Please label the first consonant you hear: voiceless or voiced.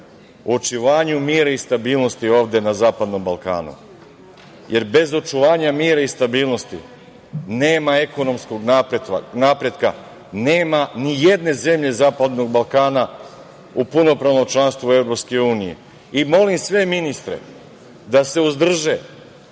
voiceless